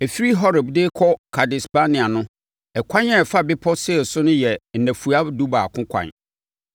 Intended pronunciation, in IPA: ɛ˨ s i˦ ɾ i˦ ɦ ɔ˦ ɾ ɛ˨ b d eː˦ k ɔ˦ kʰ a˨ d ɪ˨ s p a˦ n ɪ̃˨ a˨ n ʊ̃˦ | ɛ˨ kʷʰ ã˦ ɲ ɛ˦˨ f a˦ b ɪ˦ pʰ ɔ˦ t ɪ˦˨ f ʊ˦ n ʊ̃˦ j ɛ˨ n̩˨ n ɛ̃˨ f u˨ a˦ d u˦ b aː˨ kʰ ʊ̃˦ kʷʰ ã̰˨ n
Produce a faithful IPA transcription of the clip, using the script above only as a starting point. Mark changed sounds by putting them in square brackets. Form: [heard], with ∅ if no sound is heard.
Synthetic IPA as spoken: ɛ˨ [f] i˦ ɾ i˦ ɦ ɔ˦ ɾ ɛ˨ b d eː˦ [kʰ] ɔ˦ kʰ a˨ d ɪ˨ s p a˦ n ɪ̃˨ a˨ n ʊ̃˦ | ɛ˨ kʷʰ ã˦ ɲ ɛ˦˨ f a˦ b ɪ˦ pʰ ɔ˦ [s] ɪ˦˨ [s] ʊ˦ n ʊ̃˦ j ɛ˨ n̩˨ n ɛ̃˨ f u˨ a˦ d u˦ b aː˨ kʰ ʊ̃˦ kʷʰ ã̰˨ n